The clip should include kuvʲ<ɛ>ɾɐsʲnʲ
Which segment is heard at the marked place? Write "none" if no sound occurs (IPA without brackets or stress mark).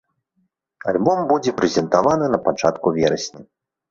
ɛ